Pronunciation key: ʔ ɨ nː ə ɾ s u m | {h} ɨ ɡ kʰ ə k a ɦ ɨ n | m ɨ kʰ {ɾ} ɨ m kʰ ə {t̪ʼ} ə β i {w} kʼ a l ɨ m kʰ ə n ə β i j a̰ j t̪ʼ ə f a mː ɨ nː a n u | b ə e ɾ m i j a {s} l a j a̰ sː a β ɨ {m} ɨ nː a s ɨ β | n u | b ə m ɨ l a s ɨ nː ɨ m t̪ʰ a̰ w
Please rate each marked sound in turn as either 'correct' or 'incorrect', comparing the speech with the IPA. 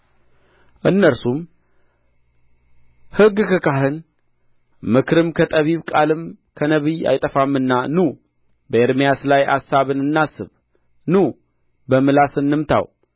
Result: correct, correct, correct, incorrect: β, correct, incorrect: n

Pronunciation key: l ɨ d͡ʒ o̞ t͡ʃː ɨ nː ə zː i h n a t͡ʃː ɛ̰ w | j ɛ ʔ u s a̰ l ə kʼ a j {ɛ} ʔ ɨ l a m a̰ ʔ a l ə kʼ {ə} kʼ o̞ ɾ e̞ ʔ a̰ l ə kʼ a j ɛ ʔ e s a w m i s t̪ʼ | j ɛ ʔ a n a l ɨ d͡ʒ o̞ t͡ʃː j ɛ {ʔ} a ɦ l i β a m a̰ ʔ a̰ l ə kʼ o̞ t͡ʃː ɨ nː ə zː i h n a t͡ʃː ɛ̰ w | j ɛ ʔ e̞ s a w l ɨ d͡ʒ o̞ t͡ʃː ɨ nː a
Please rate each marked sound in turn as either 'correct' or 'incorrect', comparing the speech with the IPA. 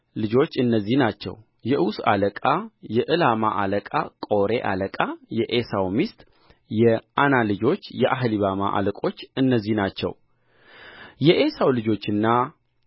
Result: correct, incorrect: a, correct

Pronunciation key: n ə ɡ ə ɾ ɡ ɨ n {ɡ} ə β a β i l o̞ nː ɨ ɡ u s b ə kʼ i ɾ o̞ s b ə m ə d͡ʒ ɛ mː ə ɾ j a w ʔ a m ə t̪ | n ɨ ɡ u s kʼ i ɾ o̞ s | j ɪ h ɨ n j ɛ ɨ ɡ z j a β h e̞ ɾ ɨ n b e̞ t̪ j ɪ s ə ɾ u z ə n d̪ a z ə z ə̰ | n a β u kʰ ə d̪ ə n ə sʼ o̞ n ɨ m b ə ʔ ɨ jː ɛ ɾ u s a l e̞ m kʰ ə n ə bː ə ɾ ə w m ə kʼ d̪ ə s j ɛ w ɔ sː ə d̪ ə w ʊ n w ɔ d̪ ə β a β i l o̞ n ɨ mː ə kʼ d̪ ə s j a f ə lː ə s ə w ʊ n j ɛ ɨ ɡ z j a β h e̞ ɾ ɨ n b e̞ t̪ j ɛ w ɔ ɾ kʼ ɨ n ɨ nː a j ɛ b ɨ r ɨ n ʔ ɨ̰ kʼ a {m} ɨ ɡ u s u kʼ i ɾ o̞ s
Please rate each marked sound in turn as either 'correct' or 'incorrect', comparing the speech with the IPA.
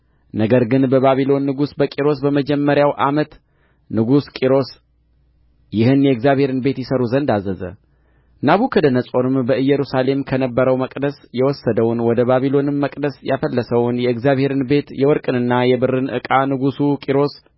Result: incorrect: b, incorrect: n

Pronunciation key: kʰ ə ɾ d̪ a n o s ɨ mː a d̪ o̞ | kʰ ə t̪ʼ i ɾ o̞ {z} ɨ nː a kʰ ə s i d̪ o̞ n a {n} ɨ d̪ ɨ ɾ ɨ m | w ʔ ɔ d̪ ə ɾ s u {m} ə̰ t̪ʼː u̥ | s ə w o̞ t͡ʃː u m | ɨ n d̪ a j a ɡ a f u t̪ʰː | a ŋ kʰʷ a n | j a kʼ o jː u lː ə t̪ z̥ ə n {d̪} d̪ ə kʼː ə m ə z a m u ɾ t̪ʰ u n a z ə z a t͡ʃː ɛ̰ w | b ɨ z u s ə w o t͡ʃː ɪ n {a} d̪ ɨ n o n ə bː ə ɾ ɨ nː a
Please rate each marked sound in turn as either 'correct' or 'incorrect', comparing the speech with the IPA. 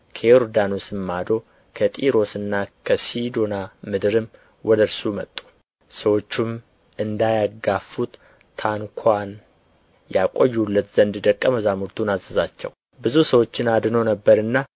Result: incorrect: s, incorrect: m, correct, correct, correct

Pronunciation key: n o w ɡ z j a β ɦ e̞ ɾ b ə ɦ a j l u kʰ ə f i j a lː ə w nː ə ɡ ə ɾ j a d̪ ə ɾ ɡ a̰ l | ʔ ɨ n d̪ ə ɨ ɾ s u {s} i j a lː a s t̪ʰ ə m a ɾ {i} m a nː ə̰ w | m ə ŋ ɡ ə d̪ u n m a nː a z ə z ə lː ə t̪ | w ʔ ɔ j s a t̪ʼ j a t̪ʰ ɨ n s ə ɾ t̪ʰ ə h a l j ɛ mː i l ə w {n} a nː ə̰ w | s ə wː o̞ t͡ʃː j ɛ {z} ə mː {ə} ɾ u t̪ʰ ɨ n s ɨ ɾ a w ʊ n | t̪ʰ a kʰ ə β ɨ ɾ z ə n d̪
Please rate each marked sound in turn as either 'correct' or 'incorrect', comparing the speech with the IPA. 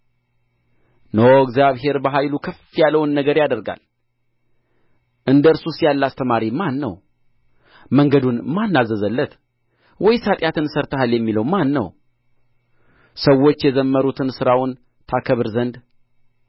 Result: correct, correct, incorrect: m, correct, correct

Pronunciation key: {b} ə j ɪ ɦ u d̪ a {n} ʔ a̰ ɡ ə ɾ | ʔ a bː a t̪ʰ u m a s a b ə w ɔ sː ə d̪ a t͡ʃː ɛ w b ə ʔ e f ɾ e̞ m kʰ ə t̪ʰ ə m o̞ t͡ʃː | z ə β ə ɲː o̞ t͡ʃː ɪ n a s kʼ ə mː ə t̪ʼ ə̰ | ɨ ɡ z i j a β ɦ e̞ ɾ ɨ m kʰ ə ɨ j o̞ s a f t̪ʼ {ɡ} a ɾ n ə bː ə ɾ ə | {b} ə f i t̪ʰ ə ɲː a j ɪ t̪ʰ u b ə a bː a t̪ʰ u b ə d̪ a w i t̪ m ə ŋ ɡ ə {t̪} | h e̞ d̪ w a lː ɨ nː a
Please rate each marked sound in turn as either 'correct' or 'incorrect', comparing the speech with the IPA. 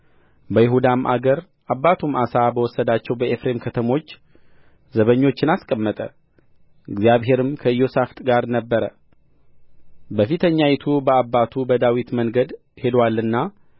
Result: correct, incorrect: m, correct, correct, incorrect: d̪

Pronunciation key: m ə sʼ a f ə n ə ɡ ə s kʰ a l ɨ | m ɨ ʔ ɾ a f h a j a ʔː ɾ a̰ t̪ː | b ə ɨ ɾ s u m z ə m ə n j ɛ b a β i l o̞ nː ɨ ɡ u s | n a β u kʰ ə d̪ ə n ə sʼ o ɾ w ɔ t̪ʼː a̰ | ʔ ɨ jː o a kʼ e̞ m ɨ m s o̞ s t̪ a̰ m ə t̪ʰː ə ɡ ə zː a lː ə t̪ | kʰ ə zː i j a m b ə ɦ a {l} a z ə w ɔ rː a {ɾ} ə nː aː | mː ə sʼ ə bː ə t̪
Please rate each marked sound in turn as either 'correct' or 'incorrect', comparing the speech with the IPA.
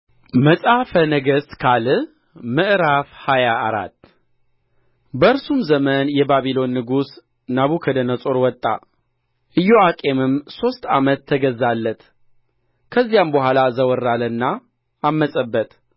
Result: correct, incorrect: l

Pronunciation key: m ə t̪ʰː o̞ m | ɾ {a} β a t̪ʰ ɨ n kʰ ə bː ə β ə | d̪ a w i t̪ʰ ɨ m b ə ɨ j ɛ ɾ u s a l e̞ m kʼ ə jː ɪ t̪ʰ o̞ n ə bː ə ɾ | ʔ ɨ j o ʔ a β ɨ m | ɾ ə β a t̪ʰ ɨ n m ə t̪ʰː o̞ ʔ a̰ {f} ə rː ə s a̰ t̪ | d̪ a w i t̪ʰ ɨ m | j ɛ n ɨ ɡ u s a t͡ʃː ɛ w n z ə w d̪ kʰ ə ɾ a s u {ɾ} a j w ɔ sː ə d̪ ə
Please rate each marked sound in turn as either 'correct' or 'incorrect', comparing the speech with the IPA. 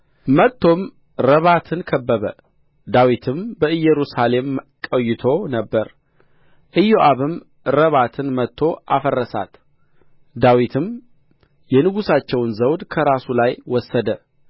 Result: incorrect: ə, correct, incorrect: l

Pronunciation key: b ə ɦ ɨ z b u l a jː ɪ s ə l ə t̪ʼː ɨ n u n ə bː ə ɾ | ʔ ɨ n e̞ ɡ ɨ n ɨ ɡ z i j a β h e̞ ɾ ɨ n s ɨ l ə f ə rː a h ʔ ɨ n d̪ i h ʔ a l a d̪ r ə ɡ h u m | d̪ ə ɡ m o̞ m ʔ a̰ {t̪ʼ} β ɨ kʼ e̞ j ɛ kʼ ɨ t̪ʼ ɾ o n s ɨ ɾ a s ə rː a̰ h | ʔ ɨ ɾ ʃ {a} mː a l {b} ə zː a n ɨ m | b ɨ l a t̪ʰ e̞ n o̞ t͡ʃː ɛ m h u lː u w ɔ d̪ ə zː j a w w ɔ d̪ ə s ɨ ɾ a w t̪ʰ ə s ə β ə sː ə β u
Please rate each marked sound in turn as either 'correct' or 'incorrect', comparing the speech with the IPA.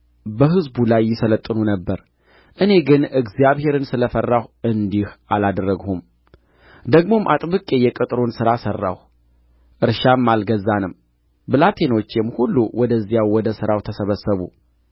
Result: correct, correct, incorrect: ɡ

